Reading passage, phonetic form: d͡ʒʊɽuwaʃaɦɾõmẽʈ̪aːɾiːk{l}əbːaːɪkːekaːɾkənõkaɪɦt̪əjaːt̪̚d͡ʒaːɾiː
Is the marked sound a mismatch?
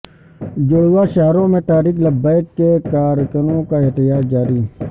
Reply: no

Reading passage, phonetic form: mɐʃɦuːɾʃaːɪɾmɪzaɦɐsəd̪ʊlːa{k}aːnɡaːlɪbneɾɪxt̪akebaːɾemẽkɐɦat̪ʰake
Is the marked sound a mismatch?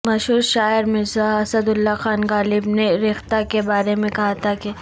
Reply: yes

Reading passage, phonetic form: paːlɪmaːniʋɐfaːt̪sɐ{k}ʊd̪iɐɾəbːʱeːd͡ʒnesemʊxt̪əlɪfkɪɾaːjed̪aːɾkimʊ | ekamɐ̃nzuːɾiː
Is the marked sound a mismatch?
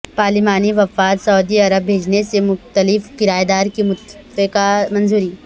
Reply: yes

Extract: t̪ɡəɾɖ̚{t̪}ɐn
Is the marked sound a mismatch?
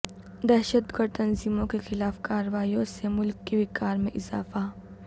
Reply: no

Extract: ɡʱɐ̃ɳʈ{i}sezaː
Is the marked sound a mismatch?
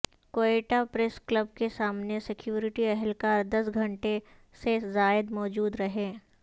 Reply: yes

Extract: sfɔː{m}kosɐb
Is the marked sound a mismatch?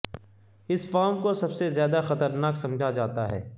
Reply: no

